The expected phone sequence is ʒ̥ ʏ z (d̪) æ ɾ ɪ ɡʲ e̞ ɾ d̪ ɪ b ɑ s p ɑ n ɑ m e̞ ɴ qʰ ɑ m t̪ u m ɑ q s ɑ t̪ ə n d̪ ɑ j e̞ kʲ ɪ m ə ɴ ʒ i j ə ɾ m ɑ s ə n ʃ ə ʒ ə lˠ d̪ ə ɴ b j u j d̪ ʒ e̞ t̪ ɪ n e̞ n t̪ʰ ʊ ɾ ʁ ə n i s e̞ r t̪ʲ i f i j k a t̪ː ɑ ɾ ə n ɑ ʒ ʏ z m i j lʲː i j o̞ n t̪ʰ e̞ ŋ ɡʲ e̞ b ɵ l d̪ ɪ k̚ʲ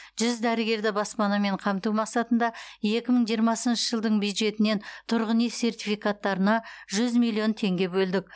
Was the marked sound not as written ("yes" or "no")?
no